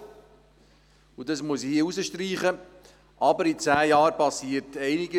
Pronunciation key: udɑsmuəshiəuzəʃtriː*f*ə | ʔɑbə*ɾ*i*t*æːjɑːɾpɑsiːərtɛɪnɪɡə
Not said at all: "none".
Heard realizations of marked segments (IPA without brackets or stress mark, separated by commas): χ, ɾ, t͡s